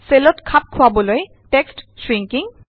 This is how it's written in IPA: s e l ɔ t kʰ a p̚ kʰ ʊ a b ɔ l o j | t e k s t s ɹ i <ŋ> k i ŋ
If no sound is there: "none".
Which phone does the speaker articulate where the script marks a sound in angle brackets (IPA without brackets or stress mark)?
ŋ